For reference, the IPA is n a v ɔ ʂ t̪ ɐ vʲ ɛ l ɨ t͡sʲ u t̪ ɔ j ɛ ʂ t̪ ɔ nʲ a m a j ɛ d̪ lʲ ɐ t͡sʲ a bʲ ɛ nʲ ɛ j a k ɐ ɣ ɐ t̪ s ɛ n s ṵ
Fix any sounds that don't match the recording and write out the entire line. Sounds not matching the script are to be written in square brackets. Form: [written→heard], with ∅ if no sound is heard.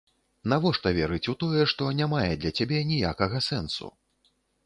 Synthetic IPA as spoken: n a v ɔ ʂ t̪ ɐ vʲ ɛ [l→ɾ] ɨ t͡sʲ u t̪ ɔ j ɛ ʂ t̪ ɔ nʲ a m a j ɛ d̪ lʲ ɐ t͡sʲ a bʲ ɛ nʲ [ɛ→i] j a k ɐ ɣ ɐ [t̪→∅] s ɛ n s ṵ